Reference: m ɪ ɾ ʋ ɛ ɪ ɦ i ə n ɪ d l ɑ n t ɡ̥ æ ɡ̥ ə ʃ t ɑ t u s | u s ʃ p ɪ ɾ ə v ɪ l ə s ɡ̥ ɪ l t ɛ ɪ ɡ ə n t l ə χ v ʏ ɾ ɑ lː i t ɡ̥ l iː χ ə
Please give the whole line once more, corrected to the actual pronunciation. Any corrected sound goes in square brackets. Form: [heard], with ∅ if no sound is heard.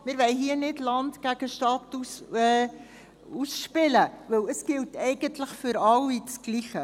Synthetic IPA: m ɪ ɾ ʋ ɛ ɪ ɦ i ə n ɪ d l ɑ n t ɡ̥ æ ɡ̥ ə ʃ t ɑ t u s | u s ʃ p ɪ [l] ə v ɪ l ə s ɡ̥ ɪ l t ɛ ɪ ɡ ə n t l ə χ [f] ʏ ɾ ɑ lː i [t͡s] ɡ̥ l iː χ ə